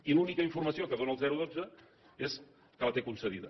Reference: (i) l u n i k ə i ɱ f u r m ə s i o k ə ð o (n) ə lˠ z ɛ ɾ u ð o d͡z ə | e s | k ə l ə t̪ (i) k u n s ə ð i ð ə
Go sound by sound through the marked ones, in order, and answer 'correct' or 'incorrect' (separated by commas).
correct, correct, incorrect